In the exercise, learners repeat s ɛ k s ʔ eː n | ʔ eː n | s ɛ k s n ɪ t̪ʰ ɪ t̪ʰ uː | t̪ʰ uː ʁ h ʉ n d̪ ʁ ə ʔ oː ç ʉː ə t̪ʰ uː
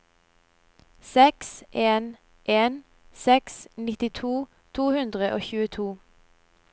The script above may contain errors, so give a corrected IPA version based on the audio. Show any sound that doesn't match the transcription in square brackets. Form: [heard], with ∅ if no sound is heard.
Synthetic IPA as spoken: s ɛ k s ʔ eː n | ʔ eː n | s ɛ k s n ɪ [t̪] ɪ t̪ʰ uː | t̪ʰ uː [∅] h ʉ n d̪ ʁ ə ʔ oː ç ʉː ə t̪ʰ uː